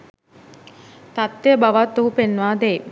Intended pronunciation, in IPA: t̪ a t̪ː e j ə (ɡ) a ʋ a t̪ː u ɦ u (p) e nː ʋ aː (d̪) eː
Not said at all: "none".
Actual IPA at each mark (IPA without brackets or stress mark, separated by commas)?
b, p, d̪